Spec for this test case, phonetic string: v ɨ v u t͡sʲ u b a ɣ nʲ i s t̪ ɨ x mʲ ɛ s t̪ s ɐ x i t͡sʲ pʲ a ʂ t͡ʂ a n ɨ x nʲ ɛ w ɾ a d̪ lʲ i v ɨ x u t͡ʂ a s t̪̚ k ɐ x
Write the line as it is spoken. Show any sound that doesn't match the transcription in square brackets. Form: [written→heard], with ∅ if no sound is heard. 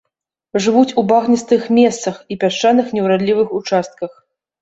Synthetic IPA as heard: [v→ʐ] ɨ v u t͡sʲ u b a ɣ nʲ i s t̪ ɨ x mʲ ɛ s t̪ s ɐ x i [t͡sʲ→∅] pʲ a ʂ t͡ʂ a n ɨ x nʲ ɛ w ɾ a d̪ lʲ i v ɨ x u t͡ʂ a s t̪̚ k ɐ x

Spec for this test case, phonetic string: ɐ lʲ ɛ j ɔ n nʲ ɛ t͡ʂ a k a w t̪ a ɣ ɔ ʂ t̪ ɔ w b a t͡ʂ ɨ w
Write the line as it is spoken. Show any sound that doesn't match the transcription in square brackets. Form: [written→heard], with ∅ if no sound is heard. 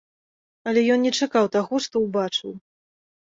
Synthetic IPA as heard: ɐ lʲ ɛ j ɔ n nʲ ɛ t͡ʂ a k a w t̪ a ɣ ɔ ʂ t̪ ɔ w b a t͡ʂ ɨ w

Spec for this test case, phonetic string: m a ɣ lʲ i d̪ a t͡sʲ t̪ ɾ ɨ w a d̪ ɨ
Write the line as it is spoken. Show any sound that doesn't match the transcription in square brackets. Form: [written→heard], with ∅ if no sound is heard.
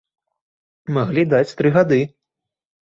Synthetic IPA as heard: m a ɣ lʲ i d̪ a t͡sʲ t̪ ɾ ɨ [w→ɣ] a d̪ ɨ

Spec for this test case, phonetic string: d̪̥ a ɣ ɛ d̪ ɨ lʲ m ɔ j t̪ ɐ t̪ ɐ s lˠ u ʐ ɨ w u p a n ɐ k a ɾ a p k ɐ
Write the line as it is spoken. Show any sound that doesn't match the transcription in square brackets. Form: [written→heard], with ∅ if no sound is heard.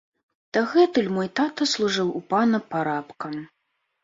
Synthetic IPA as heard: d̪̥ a ɣ ɛ [d̪→t̪] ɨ lʲ m ɔ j t̪ [ɐ→a] t̪ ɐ s lˠ u ʐ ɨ w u p a n ɐ [k→p] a ɾ a p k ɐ

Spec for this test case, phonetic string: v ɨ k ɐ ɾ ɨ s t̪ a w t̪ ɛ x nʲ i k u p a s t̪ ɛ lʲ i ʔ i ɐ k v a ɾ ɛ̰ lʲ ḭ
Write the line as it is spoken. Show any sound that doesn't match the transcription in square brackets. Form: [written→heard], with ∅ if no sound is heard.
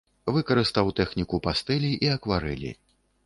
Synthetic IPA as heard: v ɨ k ɐ ɾ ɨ s t̪ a w t̪ ɛ x nʲ i k u p a s t̪ ɛ lʲ i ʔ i ɐ k v a ɾ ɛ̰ lʲ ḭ

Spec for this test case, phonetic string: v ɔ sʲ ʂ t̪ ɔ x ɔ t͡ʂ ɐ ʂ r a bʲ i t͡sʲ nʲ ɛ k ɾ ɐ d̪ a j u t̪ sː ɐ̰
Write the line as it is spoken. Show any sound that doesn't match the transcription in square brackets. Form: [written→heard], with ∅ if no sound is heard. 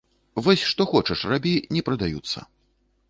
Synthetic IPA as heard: v ɔ sʲ ʂ t̪ ɔ x ɔ t͡ʂ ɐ ʂ r a bʲ i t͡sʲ nʲ ɛ [k→p] ɾ ɐ d̪ a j u t̪ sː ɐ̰

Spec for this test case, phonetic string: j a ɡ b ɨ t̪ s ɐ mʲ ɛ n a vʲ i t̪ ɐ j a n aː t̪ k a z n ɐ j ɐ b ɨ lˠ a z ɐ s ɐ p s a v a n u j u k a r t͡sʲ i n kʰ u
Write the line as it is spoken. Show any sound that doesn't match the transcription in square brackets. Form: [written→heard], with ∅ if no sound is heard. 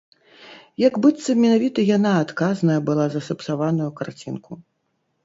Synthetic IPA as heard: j a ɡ b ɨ t̪ s ɐ mʲ ɛ n a vʲ i t̪ ɐ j a n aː t̪ k a z n ɐ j ɐ b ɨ lˠ a z ɐ s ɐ p s a v a n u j u k a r t͡sʲ i n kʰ u

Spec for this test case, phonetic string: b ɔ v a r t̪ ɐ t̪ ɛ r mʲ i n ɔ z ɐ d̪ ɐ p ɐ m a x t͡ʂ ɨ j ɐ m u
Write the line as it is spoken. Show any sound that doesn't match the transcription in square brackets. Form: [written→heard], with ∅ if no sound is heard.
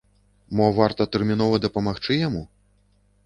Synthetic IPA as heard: [b→m] ɔ v a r t̪ ɐ t̪ ɛ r mʲ i n ɔ [z→v] ɐ d̪ ɐ p ɐ m a x t͡ʂ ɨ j [ɐ→a] m u

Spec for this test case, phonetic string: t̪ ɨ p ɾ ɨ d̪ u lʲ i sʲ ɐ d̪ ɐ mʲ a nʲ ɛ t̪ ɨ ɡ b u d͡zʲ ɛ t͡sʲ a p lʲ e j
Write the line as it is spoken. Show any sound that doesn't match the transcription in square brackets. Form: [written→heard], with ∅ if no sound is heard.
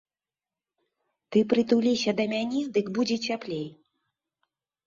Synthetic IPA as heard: t̪ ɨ p ɾ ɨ [d̪→t̪] u lʲ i sʲ ɐ d̪ ɐ mʲ a nʲ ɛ [t̪→d̪] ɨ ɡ b u d͡zʲ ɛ t͡sʲ a p lʲ e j

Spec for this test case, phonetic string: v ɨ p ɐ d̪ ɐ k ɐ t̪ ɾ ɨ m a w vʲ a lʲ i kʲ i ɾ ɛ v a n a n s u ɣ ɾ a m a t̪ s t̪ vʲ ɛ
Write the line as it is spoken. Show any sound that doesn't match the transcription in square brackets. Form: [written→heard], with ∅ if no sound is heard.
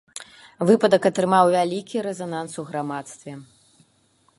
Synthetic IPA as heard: v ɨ p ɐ d̪ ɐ k ɐ t̪ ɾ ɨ m a w vʲ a lʲ i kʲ i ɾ ɛ [v→z] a n a n s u ɣ ɾ a m a t̪ s t̪ vʲ ɛ

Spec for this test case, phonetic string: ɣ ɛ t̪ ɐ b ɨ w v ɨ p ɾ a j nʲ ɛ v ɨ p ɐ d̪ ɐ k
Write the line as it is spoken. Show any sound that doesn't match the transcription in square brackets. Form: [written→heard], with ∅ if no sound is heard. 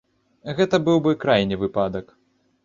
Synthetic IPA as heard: ɣ ɛ t̪ ɐ b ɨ w [v→b] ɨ [p→k] ɾ a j nʲ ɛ v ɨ p [ɐ→a] d̪ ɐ k

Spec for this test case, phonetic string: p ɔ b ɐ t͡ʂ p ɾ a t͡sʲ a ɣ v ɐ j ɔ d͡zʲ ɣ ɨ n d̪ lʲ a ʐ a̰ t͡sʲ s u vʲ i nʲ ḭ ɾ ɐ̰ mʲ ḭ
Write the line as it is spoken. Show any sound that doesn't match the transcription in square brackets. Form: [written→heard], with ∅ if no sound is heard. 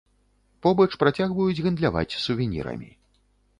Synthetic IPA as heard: p ɔ b ɐ t͡ʂ p ɾ a t͡sʲ a ɣ v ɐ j [ɔ→u] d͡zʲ ɣ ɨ n d̪ lʲ a [ʐ→v] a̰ t͡sʲ s u vʲ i nʲ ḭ ɾ ɐ̰ mʲ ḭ

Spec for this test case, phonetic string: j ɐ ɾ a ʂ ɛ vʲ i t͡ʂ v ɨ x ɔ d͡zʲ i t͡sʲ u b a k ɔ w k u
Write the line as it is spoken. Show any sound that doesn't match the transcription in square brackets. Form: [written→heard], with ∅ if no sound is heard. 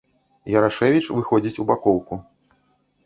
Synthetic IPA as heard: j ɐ ɾ a ʂ ɛ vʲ i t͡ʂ v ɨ x ɔ d͡zʲ i t͡sʲ u b a k ɔ w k u

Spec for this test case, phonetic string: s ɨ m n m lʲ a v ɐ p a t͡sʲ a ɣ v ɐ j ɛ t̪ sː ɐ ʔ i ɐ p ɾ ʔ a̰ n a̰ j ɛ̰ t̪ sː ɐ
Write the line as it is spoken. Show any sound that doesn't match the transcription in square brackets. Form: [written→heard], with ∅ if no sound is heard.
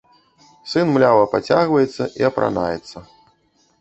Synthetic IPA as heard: s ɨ [m→∅] n m lʲ a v ɐ p a t͡sʲ a ɣ v ɐ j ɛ t̪ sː ɐ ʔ i ɐ p ɾ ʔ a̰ n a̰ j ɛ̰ t̪ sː ɐ

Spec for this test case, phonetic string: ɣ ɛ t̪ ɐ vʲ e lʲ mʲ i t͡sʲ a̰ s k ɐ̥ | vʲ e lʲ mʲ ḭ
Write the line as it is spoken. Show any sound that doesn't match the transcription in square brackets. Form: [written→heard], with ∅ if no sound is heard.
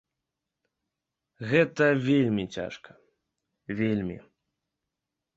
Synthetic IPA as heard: ɣ ɛ t̪ ɐ vʲ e lʲ mʲ i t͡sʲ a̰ [s→ʂ] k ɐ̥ | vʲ e lʲ mʲ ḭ

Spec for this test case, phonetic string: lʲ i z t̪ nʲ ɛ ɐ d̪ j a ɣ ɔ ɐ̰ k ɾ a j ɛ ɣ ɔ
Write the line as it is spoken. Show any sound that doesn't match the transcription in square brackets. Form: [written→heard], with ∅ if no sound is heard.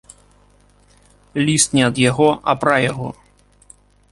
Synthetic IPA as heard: lʲ i [z→s] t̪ nʲ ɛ ɐ d̪ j a ɣ ɔ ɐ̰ [k→p] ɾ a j [ɛ→a] ɣ ɔ

